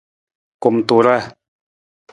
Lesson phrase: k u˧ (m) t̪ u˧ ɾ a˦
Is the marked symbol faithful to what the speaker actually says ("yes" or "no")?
yes